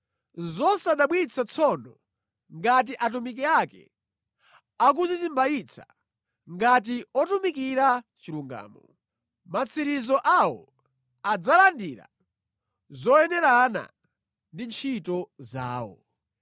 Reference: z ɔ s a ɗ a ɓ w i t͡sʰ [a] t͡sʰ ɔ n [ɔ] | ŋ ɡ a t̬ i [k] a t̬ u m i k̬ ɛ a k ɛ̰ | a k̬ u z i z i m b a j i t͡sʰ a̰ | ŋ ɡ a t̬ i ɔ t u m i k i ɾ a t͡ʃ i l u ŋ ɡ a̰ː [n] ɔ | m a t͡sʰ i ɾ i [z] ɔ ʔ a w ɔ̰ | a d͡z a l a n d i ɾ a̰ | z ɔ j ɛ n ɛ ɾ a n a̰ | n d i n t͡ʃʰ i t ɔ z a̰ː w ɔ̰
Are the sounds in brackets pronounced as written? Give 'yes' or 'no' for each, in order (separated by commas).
yes, yes, no, no, yes